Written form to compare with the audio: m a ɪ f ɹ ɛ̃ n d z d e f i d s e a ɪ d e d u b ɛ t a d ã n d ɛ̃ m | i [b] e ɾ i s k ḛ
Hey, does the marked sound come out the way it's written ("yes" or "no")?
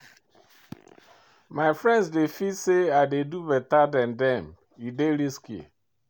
no